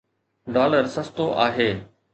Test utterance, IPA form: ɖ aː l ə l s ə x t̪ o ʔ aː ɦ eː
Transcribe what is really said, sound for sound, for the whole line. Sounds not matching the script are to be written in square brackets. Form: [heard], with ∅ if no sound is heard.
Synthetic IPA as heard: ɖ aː l ə [ɾ] s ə [s] t̪ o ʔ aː ɦ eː